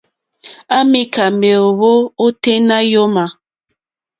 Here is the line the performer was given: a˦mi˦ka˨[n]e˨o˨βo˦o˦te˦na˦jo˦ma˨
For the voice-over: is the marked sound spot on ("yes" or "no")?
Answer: no